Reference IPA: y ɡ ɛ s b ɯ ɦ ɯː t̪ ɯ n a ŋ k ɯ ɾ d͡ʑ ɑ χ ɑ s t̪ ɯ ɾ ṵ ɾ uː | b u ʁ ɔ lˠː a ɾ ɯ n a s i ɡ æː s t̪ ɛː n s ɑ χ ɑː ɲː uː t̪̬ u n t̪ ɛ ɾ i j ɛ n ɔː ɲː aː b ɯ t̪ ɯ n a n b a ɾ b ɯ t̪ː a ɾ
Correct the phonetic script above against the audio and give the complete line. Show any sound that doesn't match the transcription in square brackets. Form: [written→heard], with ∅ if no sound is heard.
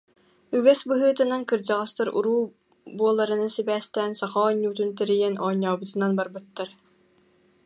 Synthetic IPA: y ɡ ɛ s b ɯ ɦ ɯː t̪ ɯ n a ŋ k ɯ ɾ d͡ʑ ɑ [χ→ʁ] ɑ s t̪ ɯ ɾ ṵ ɾ uː | b u [ʁ→∅] ɔ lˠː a ɾ ɯ n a s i [ɡ→b] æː s t̪ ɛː n s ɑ χ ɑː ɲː uː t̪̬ u n t̪ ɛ ɾ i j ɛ n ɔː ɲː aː b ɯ t̪ ɯ n a n b a ɾ b ɯ t̪ː a ɾ